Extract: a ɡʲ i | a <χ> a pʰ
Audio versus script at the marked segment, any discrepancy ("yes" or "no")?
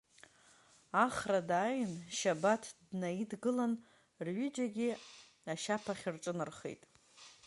yes